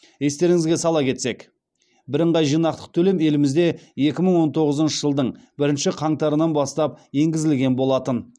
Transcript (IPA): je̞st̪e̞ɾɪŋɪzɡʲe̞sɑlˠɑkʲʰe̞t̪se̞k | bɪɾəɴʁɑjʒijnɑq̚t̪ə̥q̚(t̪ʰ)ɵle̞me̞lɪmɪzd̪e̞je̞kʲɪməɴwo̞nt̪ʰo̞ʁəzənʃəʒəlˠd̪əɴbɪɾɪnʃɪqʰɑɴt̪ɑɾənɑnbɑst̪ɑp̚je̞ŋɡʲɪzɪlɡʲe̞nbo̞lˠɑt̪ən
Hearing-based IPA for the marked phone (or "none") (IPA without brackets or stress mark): t̪ʰ